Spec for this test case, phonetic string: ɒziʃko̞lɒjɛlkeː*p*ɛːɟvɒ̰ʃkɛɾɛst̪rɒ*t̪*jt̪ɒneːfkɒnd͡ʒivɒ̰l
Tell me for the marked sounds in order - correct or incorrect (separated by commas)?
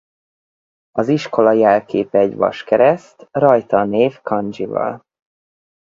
correct, incorrect